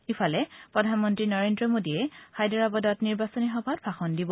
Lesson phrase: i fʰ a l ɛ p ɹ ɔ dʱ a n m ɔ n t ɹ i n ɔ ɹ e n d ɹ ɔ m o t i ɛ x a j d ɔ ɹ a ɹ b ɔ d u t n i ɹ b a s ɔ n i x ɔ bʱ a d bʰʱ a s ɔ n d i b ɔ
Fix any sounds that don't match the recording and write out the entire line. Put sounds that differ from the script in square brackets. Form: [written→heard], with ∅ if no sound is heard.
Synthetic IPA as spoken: i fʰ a l ɛ p ɹ ɔ dʱ a n m ɔ n t ɹ i n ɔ ɹ e n d ɹ ɔ m o [t→d] i ɛ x a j d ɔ ɹ a [ɹ→∅] b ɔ d [u→ɔ] t n i ɹ b a s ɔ n i x ɔ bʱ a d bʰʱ a [s→x] ɔ n d i b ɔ